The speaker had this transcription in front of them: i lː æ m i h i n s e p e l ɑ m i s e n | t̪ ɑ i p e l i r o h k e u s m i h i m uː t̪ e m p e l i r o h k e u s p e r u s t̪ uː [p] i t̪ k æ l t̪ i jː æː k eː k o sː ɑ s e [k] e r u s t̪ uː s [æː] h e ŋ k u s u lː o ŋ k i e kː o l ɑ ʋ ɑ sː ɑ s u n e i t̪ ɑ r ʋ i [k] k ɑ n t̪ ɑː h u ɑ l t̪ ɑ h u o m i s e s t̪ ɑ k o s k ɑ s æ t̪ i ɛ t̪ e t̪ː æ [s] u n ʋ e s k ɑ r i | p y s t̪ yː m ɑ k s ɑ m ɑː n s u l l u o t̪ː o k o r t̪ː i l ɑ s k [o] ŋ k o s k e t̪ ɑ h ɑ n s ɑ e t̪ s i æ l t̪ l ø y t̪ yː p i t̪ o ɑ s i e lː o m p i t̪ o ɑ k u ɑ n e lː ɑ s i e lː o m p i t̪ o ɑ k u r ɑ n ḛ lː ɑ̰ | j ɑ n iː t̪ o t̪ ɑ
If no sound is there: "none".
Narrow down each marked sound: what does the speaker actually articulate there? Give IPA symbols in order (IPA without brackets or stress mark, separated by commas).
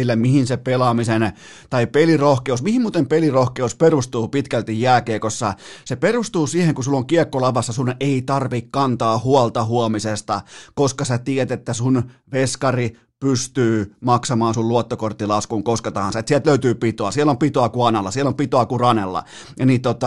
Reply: p, p, iː, k, s, u